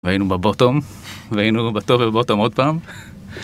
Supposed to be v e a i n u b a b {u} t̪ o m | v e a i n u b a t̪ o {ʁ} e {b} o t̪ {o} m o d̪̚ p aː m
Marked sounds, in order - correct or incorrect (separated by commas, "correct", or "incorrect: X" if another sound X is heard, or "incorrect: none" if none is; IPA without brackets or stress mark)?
incorrect: o, incorrect: v, correct, correct